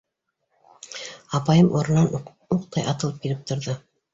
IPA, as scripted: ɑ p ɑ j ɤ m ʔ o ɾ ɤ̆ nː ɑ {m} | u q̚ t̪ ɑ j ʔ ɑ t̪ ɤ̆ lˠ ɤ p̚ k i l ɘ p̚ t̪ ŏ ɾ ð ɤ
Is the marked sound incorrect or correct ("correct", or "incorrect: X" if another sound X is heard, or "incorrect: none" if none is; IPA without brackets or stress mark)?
incorrect: n